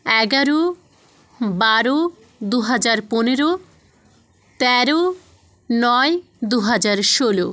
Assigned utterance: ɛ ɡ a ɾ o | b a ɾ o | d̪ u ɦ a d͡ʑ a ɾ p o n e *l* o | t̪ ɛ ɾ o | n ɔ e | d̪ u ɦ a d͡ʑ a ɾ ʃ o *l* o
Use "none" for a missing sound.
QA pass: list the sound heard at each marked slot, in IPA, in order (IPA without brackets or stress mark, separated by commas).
ɾ, l